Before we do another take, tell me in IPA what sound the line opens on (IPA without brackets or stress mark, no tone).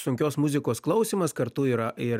s